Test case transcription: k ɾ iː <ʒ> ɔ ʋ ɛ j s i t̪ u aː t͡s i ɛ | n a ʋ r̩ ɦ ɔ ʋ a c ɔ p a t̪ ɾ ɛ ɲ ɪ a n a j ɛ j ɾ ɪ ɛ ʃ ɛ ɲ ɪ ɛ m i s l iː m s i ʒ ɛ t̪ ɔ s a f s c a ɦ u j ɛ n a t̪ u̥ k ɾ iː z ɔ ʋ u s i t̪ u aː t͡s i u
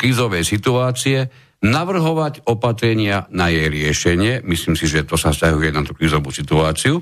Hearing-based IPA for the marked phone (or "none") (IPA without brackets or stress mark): z